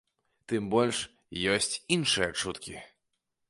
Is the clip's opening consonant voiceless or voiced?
voiceless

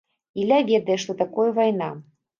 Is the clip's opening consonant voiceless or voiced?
voiced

